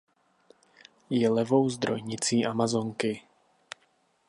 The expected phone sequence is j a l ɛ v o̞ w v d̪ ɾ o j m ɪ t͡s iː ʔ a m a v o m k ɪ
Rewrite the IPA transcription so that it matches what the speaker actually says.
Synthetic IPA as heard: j ɛ l ɛ v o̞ w z d̪ ɾ o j ɲ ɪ t͡s iː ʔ a m a z o ŋ k ɪ